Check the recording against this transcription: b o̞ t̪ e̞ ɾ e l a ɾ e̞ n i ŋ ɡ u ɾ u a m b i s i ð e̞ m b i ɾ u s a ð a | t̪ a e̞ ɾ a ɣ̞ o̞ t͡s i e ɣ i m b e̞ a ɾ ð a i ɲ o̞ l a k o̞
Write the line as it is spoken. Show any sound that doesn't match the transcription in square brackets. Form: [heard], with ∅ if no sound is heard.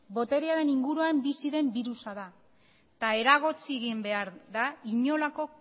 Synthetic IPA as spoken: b o̞ t̪ e̞ ɾ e [∅] a ɾ e̞ n i ŋ ɡ u ɾ u a m b i s i ð e̞ m b i ɾ u s a ð a | t̪ a e̞ ɾ a ɣ̞ o̞ t͡s i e ɣ i m b e̞ a ɾ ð a i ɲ o̞ l a k o̞